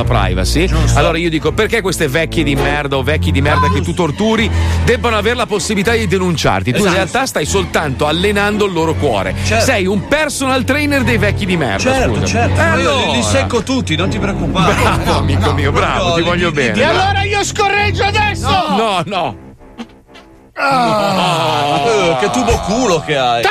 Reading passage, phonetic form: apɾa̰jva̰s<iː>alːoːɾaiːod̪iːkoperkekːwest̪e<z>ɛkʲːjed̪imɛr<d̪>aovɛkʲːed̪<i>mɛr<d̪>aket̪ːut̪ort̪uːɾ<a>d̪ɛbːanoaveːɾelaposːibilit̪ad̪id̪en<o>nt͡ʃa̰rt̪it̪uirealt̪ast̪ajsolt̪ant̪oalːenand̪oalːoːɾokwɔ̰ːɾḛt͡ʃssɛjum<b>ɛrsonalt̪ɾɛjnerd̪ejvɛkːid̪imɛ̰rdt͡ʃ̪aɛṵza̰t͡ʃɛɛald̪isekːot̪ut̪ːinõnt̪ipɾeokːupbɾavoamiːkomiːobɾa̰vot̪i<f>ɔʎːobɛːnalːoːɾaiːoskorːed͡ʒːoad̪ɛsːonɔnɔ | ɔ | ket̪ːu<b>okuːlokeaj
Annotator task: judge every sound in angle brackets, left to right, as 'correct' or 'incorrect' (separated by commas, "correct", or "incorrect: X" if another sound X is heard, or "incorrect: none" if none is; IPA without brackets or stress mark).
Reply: incorrect: i, incorrect: v, correct, correct, correct, incorrect: i, incorrect: u, incorrect: p, incorrect: v, correct